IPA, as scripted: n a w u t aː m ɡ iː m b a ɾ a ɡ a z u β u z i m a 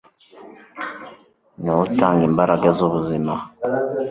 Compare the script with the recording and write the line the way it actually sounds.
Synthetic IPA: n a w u t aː ŋ ɡ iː m b a ɾ a ɡ a z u β u z i m a